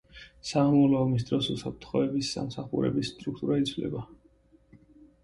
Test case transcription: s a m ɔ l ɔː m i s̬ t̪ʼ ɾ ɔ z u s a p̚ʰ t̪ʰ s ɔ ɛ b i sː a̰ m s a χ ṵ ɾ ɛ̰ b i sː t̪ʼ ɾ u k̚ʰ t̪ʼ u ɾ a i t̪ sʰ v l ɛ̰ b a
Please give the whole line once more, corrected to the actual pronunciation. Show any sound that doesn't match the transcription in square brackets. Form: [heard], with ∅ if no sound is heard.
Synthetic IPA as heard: s a m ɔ l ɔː m i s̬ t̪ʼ ɾ ɔ [s] u s a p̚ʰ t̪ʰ [χ] ɔ ɛ b i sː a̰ m s a χ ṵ ɾ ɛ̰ b i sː t̪ʼ ɾ u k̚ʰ t̪ʼ u ɾ a i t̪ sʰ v l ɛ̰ b a